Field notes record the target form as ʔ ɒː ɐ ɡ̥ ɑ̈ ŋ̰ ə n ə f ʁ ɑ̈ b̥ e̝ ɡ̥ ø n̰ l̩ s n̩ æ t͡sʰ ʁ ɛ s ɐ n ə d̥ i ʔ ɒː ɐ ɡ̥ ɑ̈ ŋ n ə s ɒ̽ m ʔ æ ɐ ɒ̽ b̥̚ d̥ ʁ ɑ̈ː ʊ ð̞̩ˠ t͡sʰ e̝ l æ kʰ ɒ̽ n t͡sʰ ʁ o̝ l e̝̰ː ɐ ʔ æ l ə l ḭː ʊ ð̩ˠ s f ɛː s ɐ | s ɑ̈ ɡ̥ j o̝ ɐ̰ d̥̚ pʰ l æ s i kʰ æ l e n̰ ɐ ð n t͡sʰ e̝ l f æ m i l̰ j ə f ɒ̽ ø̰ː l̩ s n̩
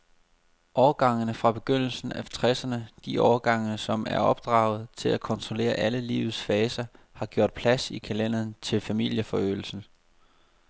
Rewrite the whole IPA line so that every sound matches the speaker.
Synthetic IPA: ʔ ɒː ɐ ɡ̥ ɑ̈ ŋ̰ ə n ə f ʁ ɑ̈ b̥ e̝ ɡ̥ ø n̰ l̩ s n̩ æ t͡sʰ ʁ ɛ s ɐ n ə d̥ i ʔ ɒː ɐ ɡ̥ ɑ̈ ŋ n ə s ɒ̽ m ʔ æ ɐ ɒ̽ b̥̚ d̥ ʁ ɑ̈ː ʊ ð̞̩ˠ t͡sʰ e̝ l æ kʰ ɒ̽ n t͡sʰ ʁ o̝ l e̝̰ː ɐ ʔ æ l ə l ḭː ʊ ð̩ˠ s f ɛː s ɐ | h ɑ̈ ɡ̥ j o̝ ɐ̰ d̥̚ pʰ l æ s i kʰ æ l e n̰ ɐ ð n t͡sʰ e̝ l f æ m i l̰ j ə f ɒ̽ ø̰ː l̩ s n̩